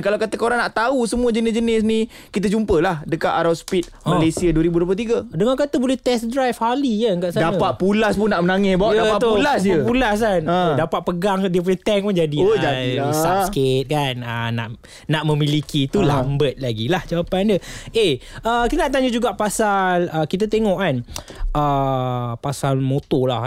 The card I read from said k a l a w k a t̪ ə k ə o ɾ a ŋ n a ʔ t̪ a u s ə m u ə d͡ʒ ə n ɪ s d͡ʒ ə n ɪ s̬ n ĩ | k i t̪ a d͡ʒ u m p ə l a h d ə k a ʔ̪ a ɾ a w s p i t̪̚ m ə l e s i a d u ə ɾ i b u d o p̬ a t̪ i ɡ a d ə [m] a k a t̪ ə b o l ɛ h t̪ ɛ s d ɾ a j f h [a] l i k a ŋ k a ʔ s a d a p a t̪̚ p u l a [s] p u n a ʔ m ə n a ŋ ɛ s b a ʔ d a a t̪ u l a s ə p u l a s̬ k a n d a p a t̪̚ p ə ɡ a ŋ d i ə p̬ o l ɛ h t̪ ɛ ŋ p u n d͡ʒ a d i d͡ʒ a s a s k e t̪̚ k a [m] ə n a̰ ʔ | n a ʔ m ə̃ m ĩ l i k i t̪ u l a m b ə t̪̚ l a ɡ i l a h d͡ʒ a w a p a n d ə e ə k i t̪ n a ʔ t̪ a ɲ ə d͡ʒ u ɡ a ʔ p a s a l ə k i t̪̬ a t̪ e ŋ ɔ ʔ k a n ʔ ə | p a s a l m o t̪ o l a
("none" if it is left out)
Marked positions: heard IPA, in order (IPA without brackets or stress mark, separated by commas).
ŋ, a, s, n